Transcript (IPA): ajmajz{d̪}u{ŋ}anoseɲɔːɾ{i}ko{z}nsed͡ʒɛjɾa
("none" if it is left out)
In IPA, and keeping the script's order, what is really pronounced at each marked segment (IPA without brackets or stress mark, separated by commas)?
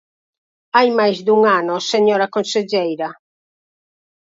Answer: d̪, ŋ, a, none